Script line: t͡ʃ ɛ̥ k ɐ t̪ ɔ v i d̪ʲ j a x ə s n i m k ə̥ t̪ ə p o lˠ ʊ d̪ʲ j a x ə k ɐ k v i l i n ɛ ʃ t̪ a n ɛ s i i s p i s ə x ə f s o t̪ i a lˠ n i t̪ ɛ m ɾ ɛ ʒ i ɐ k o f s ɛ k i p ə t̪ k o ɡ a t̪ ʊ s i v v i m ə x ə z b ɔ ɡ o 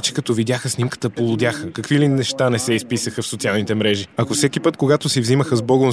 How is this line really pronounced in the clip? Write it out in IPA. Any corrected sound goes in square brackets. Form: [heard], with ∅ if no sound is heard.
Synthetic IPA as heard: t͡ʃ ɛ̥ k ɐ t̪ ɔ v i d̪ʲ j a x ə s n i m k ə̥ t̪ ə p o lˠ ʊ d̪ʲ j a x ə k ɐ k v i l i n ɛ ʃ t̪ a n ɛ s [ɛ] i s p i s ə x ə f s o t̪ i a lˠ n i t̪ ɛ m ɾ ɛ ʒ i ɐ k o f s ɛ k i p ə t̪ k o ɡ a t̪ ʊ s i v [z] i m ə x ə z b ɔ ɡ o